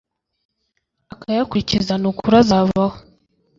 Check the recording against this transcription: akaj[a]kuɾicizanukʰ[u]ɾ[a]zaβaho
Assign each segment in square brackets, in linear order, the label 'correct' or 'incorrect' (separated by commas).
correct, correct, correct